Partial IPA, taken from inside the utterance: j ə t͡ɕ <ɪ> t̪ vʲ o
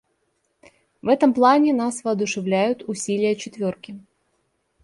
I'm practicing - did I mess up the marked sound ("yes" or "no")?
no